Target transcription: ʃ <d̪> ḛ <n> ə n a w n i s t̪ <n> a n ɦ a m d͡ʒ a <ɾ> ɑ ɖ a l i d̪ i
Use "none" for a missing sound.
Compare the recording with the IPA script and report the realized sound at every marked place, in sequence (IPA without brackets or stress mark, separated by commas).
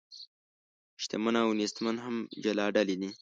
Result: t̪, m, m, l